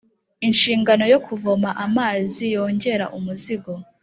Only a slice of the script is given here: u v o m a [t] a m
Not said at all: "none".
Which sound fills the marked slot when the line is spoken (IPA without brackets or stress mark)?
ʔ